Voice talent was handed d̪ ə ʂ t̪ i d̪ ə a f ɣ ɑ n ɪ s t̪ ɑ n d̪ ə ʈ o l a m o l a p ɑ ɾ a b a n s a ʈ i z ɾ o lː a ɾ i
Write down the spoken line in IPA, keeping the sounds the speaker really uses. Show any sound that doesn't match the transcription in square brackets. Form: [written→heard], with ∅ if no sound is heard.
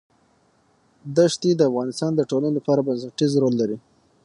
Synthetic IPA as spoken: d̪ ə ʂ t̪ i d̪ ə a f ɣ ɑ n ɪ s t̪ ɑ n d̪ ə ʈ o l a [m→n] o l a p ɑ ɾ a b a n s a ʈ i z ɾ o lː a ɾ i